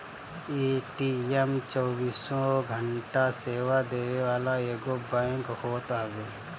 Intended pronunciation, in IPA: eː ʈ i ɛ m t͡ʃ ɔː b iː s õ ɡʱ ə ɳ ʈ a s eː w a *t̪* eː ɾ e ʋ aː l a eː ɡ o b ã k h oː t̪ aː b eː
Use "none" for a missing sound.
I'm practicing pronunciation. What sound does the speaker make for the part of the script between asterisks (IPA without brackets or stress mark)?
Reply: d̪